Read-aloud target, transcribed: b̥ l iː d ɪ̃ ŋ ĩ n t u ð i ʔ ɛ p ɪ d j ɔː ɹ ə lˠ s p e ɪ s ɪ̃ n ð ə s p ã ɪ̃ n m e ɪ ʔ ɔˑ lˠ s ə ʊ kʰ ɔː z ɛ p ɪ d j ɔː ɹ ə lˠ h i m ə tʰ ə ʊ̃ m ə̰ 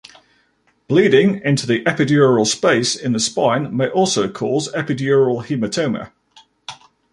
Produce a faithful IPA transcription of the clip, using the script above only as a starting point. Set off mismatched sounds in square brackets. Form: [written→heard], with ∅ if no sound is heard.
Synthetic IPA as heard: b̥ l iː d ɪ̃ ŋ [ĩ→ɪ̃] n t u ð i ʔ ɛ p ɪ d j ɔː ɹ ə lˠ s p e ɪ s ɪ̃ n ð ə s p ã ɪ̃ n m e ɪ ʔ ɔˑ lˠ s ə ʊ kʰ ɔː z ɛ p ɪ d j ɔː ɹ ə lˠ h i m ə tʰ ə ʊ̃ m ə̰